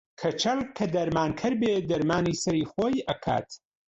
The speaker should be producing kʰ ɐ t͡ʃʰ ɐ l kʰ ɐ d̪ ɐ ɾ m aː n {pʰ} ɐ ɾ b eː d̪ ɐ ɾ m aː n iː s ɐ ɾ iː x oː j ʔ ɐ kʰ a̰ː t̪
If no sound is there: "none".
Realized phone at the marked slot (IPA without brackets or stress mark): kʰ